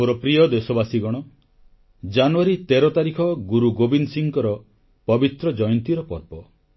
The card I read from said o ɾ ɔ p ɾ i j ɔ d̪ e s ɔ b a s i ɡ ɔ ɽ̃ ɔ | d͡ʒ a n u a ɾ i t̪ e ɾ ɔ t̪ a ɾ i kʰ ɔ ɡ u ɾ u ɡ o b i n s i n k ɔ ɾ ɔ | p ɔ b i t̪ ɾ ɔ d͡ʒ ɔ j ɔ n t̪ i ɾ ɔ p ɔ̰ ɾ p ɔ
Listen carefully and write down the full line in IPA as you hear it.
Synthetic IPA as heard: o ɾ ɔ p ɾ i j ɔ d̪ e s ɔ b a s i ɡ ɔ ɽ̃ ɔ | d͡ʒ a n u a ɾ i t̪ e ɾ ɔ t̪ a ɾ i kʰ ɔ ɡ u ɾ u ɡ o b i n s i ŋ k ɔ ɾ ɔ | p ɔ b i t̪ ɾ ɔ d͡ʒ ɔ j ɔ n t̪ i ɾ ɔ p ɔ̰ ɾ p ɔ

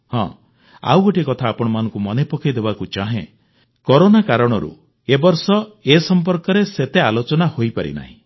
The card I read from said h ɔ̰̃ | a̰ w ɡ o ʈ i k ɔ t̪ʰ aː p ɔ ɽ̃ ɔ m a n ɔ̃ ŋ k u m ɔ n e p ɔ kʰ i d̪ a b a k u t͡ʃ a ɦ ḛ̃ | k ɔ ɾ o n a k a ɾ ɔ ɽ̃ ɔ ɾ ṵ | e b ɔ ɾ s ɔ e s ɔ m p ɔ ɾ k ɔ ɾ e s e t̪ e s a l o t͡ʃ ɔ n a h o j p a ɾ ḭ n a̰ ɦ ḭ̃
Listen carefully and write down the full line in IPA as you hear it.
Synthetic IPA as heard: h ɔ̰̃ | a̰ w ɡ o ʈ i k ɔ t̪ʰ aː p ɔ ɽ̃ ɔ m a n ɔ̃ ŋ k u m ɔ n e p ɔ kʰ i d̪ e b a k u t͡ʃ a ɦ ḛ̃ | k ɔ ɾ o n a k a ɾ ɔ ɽ̃ ɔ ɾ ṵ | e b ɔ ɾ s ɔ e s ɔ m p ɔ ɾ k ɔ ɾ e s e t̪ e a l o t͡ʃ ɔ n a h o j p a ɾ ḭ n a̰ ɦ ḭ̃

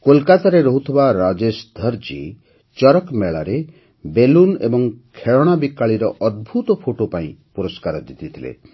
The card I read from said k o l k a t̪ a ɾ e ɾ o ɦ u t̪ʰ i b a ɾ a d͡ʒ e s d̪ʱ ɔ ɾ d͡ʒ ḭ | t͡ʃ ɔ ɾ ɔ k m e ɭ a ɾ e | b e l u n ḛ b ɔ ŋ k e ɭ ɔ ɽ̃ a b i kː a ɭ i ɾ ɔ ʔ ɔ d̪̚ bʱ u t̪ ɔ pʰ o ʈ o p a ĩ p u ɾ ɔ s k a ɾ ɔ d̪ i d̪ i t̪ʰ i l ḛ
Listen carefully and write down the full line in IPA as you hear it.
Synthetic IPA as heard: k o l k a t̪ a ɾ e ɾ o ɦ u t̪ʰ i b a ɾ a d͡ʒ e s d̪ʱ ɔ ɾ d͡ʒ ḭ | t͡ʃ ɔ ɾ ɔ k m e ɭ a ɾ e | b e l u n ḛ b ɔ ŋ kʰ e ɭ ɔ ɽ̃ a b i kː a ɭ i ɾ ɔ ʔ ɔ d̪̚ bʱ u t̪ ɔ pʰ o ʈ o p a ĩ p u ɾ ɔ s k a ɾ ɔ d̪ i t̪ i t̪ʰ i l ḛ

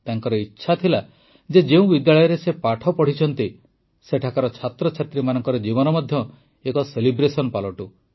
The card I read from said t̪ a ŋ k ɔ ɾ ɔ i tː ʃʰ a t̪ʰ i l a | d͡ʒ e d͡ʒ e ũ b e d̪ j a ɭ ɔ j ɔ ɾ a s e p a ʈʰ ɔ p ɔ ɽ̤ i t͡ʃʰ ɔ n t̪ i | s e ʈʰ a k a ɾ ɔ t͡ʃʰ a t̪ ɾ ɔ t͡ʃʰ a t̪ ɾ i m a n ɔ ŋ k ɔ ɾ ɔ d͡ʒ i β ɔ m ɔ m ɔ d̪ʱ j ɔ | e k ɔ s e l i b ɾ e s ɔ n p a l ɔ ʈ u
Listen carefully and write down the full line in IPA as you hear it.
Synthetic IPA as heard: t̪ a ŋ k ɔ ɾ ɔ i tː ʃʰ a t̪ʰ i l a | d͡ʒ e d͡ʒ e ũ b i d̪ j a ɭ ɔ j ɔ ɾ e s e p a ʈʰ ɔ p ɔ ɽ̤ i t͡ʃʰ ɔ n t̪ i | s e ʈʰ a k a ɾ ɔ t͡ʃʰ a t̪ ɾ ɔ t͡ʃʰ a t̪ ɾ i m a n ɔ ŋ k ɔ ɾ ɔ d͡ʒ i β ɔ n ɔ m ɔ d̪ʱ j ɔ | e k ɔ s e l i b ɾ e s ɔ n p a l ɔ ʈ u

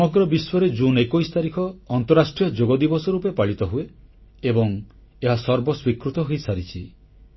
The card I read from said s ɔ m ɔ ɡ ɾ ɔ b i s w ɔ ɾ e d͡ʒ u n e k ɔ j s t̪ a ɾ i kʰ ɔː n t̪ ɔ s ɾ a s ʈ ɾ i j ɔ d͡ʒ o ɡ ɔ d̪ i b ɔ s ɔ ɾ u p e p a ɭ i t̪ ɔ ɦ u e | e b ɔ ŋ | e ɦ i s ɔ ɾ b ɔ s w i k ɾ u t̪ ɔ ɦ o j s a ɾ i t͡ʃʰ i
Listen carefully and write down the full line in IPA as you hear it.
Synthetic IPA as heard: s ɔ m ɔ ɡ ɾ ɔ b i s w ɔ ɾ e d͡ʒ u n e k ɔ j s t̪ a ɾ i kʰ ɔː n t̪ ɔ ɾ a s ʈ ɾ i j ɔ d͡ʒ o ɡ ɔ d̪ i b ɔ s ɔ ɾ u p e p a ɭ i t̪ ɔ ɦ u e | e b ɔ ŋ | e ɦ a s ɔ ɾ b ɔ s w i k ɾ u t̪ ɔ ɦ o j s a ɾ i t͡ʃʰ i

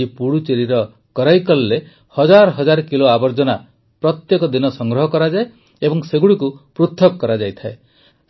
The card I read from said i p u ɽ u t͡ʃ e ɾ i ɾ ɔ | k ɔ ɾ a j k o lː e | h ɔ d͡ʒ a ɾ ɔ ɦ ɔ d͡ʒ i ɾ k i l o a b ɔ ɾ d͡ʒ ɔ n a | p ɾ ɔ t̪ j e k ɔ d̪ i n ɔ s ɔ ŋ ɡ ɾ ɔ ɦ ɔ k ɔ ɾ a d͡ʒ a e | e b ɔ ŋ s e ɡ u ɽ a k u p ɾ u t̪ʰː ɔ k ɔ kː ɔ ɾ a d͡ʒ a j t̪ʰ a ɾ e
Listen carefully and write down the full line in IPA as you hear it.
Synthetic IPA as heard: i p u ɽ u t͡ʃ e ɾ i ɾ ɔ | k ɔ ɾ a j k ɔ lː e | h ɔ d͡ʒ a ɾ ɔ ɦ ɔ d͡ʒ a ɾ k i l o a b ɔ ɾ d͡ʒ ɔ n a | p ɾ ɔ t̪ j e k ɔ d̪ i n ɔ s ɔ ŋ ɡ ɾ ɔ ɦ ɔ k ɔ ɾ a d͡ʒ a e | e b ɔ ŋ s e ɡ u ɽ i k u p ɾ u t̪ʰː ɔ k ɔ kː ɔ ɾ a d͡ʒ a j t̪ʰ a e

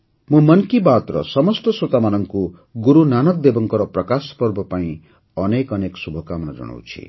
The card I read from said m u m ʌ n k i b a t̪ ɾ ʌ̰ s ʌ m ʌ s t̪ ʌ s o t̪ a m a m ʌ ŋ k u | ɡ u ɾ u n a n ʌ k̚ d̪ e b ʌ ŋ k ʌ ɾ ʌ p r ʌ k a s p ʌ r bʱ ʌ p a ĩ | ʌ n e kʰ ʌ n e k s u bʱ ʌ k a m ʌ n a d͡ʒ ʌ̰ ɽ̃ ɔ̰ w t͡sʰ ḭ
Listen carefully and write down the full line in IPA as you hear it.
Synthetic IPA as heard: m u m ʌ n k i b a t̪ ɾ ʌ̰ s ʌ m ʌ s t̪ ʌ s o t̪ a m a n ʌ ŋ k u | ɡ u ɾ u n a n ʌ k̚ d̪ e b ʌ ŋ k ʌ ɾ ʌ p r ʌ k a s p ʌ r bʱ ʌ p a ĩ | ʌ n e k ʌ n e k s u bʱ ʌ k a m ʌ n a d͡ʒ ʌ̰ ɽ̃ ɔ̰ w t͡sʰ ḭ

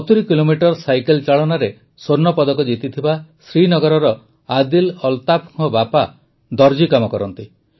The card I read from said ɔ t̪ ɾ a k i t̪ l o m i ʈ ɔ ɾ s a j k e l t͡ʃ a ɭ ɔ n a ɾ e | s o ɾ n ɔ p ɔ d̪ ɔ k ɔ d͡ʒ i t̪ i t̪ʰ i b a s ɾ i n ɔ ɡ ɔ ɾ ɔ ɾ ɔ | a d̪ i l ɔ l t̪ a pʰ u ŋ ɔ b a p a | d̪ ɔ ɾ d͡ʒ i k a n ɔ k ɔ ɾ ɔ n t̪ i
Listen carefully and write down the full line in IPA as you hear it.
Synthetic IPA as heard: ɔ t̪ ɾ i k i l o m i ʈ ɔ ɾ s a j k e l t͡ʃ a ɭ ɔ n a ɾ e | s o ɾ n ɔ p ɔ d̪ ɔ k ɔ d͡ʒ i t̪ i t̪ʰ i b a s ɾ i n ɔ ɡ ɔ ɾ ɔ ɾ ɔ | a d̪ i l ɔ l t̪ a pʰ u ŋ ɔ b a p a | d̪ ɔ ɾ d͡ʒ i k a m ɔ k ɔ ɾ ɔ n t̪ i

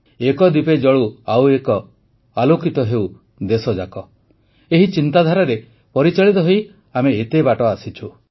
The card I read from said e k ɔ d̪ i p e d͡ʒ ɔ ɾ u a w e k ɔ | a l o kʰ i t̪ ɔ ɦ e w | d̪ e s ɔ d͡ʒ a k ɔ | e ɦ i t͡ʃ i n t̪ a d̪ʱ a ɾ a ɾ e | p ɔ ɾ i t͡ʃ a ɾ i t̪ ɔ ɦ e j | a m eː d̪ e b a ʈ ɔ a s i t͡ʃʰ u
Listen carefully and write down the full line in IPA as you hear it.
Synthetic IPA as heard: e k ɔ d̪ i p e d͡ʒ ɔ ɭ u a w e k ɔ | a l o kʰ i t̪ ɔ ɦ e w | d̪ e s ɔ d͡ʒ a k ɔ | e ɦ i t͡ʃ i n t̪ a d̪ʱ a ɾ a ɾ e | p ɔ ɾ i t͡ʃ a ɭ i t̪ ɔ ɦ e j | a m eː t̪ e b a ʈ ɔ a s i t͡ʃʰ u

